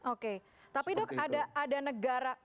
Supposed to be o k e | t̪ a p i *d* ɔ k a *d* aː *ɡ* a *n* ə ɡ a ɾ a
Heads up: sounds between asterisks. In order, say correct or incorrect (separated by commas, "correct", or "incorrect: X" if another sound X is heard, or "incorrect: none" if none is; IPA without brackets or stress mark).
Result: correct, correct, incorrect: d, correct